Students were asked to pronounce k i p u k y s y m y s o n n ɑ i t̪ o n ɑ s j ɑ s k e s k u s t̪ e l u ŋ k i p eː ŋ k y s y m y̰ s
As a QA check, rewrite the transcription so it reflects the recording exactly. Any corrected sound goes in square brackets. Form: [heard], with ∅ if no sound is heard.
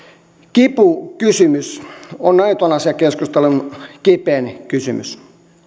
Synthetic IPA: k i p u k y s y m y s o n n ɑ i t̪ o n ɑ s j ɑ [∅] k e s k u s t̪ e l u [n] k i p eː [n] k y s y m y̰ s